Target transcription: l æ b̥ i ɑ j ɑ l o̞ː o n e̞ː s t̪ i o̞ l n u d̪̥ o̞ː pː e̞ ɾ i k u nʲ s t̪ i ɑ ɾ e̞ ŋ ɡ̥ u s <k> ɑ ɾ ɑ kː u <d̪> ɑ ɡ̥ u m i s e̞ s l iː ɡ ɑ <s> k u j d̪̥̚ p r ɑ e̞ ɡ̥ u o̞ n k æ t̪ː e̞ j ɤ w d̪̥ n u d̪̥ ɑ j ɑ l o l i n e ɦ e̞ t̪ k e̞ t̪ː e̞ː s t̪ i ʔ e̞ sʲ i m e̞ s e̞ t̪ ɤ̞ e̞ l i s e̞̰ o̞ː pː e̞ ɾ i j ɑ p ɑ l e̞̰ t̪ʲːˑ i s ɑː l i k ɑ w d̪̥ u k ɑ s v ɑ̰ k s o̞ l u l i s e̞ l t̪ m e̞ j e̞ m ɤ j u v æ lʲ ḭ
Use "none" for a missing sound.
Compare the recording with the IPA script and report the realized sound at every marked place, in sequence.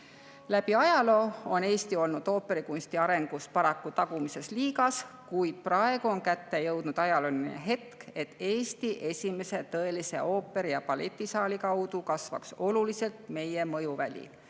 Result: p, t̪, s

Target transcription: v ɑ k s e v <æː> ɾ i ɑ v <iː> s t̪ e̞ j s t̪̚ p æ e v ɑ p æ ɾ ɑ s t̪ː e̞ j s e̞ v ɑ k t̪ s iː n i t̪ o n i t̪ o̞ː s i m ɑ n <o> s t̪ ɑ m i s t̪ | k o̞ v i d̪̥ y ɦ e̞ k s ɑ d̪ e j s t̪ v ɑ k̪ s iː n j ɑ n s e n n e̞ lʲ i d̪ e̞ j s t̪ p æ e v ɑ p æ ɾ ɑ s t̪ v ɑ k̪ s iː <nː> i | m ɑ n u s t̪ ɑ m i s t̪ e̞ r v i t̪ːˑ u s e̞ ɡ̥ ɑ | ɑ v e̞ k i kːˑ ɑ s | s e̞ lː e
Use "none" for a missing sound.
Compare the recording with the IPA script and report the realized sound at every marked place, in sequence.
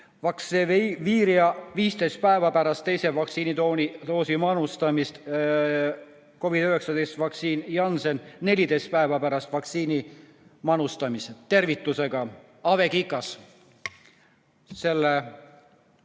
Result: iː, iː, u, n

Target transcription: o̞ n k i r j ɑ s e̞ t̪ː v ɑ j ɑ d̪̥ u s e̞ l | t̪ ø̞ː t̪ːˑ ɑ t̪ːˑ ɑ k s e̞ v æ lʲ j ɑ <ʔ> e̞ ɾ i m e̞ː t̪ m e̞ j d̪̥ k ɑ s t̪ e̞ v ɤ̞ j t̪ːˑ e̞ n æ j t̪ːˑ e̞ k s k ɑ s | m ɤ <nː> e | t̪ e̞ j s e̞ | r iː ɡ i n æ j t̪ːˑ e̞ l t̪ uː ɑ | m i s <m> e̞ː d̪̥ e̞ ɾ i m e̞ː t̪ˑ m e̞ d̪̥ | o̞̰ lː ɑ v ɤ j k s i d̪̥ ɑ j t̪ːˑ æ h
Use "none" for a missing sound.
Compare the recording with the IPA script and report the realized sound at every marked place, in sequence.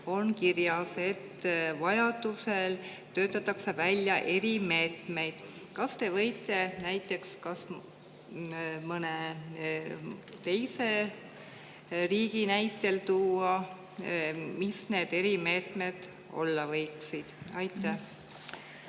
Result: ʔ, n, n

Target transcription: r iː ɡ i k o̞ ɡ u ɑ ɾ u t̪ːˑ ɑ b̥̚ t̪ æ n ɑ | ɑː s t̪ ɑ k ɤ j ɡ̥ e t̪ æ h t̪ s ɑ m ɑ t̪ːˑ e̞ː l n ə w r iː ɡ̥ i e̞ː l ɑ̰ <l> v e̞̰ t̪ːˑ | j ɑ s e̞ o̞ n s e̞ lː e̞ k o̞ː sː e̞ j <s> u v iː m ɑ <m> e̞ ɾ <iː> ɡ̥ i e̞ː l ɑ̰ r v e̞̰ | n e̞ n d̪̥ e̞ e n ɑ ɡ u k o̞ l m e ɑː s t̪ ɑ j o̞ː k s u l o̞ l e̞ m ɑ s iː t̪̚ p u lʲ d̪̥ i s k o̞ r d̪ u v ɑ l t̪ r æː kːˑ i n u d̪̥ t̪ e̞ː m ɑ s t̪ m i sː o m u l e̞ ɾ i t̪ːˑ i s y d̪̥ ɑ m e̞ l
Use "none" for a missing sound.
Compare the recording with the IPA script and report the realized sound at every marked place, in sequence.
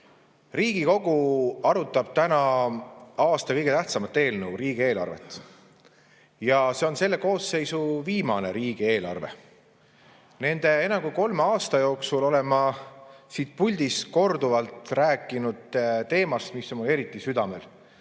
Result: r, s, n, iː

